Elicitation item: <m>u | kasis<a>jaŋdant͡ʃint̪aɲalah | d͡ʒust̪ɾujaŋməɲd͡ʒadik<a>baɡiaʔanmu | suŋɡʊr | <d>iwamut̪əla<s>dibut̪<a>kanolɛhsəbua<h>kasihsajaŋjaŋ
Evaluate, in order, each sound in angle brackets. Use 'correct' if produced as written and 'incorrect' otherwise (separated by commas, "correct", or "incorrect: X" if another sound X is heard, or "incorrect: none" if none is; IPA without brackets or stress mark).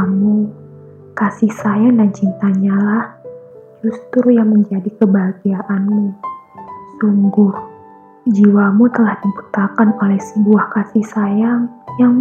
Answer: correct, correct, incorrect: ə, incorrect: d͡ʒ, incorrect: h, correct, correct